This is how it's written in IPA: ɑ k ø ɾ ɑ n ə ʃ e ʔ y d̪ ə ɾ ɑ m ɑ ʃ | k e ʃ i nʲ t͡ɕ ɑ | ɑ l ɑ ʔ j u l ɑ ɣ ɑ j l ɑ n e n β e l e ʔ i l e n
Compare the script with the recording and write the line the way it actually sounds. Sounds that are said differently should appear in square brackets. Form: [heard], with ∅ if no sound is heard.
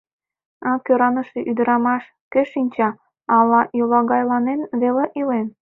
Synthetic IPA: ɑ k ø ɾ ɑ n ə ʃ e ʔ y d̪ ə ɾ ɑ m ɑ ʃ | k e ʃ i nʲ t͡ɕ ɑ | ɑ l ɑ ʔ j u l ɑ ɣ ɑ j l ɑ n e n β e l e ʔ i l e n